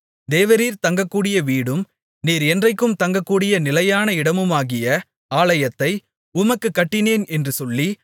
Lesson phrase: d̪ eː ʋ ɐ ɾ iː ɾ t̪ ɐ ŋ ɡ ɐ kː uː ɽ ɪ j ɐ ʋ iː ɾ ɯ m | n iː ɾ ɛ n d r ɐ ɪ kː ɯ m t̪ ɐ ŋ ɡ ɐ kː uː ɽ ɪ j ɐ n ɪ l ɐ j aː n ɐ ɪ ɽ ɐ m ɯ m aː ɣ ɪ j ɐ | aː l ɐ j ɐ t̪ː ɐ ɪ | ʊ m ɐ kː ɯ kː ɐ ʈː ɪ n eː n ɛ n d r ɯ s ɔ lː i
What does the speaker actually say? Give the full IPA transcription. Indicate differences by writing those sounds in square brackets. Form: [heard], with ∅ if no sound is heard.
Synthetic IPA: d̪ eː ʋ ɐ ɾ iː ɾ t̪ ɐ ŋ ɡ ɐ kː uː ɽ ɪ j ɐ ʋ iː [ɽ] ɯ m | n iː ɾ ɛ n d r ɐ ɪ kː ɯ m t̪ ɐ ŋ ɡ ɐ kː uː ɽ ɪ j ɐ n ɪ l ɐ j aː n ɐ ɪ ɽ ɐ m ɯ m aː ɣ ɪ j ɐ | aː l ɐ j ɐ t̪ː ɐ ɪ | ʊ m ɐ kː ɯ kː ɐ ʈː ɪ n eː n ɛ n d r ɯ s ɔ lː i